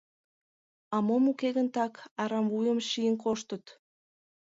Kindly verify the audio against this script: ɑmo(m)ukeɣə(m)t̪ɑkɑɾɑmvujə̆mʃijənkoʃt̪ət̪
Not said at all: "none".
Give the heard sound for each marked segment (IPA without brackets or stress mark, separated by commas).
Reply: m, n